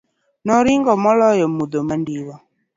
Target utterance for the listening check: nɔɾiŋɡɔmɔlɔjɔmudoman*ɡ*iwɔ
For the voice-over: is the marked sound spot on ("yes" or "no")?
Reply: no